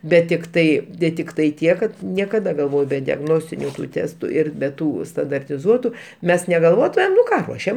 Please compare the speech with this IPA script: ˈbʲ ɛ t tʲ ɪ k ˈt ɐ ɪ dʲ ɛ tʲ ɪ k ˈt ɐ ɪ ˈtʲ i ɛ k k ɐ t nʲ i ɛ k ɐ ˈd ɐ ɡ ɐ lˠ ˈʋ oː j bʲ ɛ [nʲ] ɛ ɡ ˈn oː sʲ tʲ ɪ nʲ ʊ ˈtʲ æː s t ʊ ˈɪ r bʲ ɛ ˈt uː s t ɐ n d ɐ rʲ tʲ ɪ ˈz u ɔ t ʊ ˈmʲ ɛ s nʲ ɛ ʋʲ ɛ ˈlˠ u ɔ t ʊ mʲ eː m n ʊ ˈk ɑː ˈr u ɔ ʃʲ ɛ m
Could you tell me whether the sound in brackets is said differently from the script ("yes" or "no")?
yes